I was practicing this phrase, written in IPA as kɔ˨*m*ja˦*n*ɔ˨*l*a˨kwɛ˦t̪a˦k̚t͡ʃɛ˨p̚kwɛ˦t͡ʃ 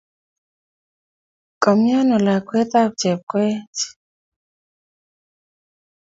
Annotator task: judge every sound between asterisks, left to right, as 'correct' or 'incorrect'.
correct, correct, correct

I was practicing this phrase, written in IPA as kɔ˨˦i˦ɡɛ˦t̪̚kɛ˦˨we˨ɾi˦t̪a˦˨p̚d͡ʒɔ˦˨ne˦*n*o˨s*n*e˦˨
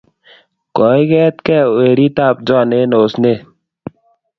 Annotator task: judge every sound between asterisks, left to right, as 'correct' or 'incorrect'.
correct, correct

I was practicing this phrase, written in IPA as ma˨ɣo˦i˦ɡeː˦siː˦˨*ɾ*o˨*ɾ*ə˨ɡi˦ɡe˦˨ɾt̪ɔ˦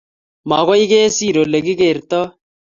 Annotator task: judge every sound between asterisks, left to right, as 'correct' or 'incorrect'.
correct, incorrect

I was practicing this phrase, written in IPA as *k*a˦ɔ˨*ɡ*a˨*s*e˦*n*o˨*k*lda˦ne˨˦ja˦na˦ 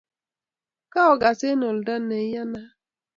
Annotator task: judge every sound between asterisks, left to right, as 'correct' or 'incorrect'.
correct, correct, correct, correct, incorrect

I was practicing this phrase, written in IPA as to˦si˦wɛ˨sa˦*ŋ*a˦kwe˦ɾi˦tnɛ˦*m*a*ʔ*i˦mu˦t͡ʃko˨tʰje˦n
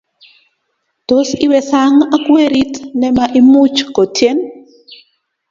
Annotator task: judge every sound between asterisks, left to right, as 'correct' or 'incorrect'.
correct, correct, correct

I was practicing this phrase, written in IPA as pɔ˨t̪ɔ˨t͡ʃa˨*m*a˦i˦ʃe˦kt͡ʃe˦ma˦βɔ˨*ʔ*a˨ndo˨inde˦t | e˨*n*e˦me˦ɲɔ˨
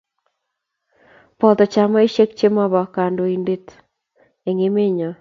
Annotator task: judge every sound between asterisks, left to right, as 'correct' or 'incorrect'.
correct, incorrect, incorrect

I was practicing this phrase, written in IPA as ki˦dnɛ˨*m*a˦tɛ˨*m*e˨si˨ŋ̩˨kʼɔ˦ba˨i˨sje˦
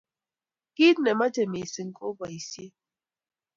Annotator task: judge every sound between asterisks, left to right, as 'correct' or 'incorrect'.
correct, correct

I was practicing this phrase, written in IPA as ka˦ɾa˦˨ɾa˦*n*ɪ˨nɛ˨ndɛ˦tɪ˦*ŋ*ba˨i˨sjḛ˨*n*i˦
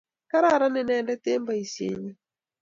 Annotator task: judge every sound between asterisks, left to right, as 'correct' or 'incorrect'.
correct, incorrect, incorrect

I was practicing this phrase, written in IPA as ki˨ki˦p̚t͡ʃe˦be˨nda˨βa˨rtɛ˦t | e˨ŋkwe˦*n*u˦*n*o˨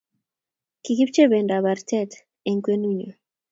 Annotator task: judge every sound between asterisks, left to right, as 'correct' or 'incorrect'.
correct, incorrect

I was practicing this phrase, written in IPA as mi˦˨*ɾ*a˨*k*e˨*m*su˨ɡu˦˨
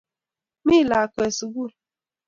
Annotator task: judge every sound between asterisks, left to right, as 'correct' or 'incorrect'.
incorrect, correct, incorrect

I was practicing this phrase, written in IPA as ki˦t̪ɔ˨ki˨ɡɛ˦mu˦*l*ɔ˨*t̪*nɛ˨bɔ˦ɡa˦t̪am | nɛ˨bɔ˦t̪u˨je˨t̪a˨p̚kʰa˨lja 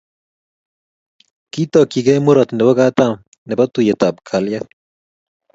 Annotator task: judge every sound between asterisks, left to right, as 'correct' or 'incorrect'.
incorrect, correct

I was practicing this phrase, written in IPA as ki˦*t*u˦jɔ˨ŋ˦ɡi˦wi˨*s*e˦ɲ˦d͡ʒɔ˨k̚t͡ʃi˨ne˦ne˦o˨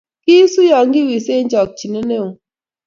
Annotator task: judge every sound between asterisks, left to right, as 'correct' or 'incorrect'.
incorrect, correct

